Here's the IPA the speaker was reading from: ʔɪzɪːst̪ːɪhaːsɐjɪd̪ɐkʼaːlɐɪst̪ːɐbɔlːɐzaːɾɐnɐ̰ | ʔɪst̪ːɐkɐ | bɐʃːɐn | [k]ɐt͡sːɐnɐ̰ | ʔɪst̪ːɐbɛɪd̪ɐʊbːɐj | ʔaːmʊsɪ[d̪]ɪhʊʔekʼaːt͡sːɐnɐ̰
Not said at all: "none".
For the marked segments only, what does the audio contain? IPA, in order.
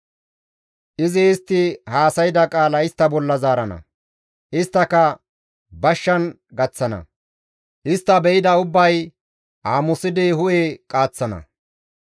ɡ, d̪

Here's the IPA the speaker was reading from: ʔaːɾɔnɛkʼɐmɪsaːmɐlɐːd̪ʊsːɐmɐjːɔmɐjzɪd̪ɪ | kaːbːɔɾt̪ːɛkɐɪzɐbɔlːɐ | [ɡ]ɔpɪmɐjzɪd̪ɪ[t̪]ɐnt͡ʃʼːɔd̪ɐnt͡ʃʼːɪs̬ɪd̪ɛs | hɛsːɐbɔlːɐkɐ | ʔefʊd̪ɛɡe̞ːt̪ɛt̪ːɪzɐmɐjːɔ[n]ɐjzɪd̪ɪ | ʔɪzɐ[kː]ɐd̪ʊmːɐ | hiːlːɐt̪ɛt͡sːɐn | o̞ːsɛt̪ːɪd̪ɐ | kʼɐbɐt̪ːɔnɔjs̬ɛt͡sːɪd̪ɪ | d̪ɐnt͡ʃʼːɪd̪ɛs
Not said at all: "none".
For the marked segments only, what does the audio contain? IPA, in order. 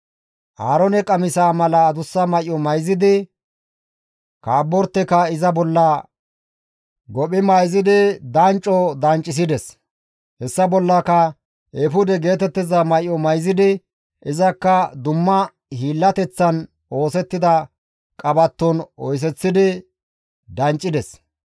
ɡ, d̪, m, kː

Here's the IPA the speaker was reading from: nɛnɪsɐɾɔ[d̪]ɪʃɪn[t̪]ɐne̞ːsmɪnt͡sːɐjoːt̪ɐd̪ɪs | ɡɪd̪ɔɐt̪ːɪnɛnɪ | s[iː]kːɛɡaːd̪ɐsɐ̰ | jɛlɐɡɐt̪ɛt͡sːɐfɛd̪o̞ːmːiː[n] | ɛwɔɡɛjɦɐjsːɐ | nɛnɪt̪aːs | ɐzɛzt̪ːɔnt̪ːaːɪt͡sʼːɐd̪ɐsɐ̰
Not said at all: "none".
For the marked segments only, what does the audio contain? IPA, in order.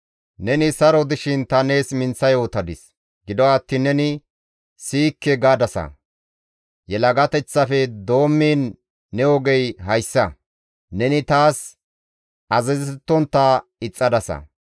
d̪, t̪, iː, nː

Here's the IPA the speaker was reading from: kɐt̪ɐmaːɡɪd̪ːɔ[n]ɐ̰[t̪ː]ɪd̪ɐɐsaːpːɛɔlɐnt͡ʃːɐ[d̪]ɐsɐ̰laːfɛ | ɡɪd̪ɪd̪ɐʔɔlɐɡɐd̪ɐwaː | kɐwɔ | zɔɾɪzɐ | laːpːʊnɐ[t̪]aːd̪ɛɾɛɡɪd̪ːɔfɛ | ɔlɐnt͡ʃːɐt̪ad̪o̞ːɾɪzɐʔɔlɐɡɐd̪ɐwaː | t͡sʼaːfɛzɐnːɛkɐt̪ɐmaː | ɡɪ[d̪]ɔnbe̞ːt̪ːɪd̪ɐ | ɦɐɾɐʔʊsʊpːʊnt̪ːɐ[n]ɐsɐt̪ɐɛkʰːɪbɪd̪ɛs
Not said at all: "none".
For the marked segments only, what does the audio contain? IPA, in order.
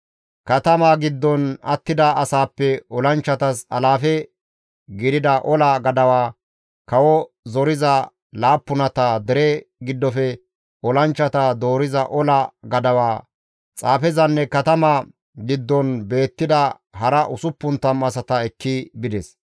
n, t̪ː, t̪, t̪, d̪ː, m

